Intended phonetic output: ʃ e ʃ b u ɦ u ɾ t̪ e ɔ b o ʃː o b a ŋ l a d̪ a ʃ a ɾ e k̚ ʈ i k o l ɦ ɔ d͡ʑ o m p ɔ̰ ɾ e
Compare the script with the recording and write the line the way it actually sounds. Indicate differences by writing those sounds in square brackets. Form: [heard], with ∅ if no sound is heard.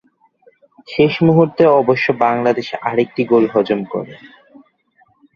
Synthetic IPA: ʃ e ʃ [m] u ɦ u ɾ t̪ e ɔ b o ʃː o b a ŋ l a d̪ [e] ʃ a ɾ e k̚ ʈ i [ɡ] o l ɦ ɔ d͡ʑ o m [k] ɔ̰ ɾ e